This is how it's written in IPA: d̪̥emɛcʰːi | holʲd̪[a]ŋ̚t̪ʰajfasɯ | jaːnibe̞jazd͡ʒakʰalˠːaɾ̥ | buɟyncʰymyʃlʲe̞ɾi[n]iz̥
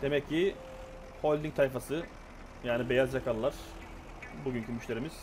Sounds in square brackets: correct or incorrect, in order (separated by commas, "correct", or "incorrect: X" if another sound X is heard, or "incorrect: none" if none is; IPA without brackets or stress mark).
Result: incorrect: i, incorrect: m